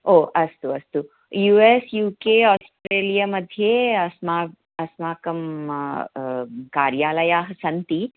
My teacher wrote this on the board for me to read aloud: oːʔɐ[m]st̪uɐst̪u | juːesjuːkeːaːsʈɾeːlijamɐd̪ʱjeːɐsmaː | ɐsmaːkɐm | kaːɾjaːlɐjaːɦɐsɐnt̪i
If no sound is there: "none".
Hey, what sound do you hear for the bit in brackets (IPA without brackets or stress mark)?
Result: none